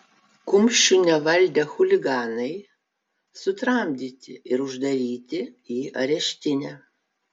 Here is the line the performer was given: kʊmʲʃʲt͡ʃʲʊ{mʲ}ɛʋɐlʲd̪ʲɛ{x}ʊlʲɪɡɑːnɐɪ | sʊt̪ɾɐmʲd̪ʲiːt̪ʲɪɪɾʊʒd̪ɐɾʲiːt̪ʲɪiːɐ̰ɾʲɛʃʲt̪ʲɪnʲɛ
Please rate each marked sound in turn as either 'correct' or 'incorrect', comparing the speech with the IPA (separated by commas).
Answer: incorrect, correct